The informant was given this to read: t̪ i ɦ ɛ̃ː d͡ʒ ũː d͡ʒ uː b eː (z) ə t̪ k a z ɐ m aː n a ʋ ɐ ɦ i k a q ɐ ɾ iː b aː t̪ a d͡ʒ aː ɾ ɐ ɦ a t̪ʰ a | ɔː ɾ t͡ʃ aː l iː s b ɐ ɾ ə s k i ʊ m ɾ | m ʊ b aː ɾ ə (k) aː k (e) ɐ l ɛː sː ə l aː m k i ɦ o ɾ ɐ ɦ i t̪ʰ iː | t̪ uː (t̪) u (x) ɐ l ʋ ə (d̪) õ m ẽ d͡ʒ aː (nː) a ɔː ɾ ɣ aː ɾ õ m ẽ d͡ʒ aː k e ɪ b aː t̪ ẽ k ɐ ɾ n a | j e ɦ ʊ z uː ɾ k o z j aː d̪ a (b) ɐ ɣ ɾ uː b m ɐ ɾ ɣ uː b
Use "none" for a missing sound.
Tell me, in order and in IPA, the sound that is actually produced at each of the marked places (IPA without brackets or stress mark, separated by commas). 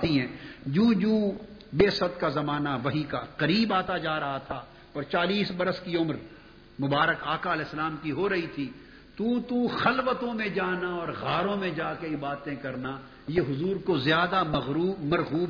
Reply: s, k, a, t̪, x, t̪, n, m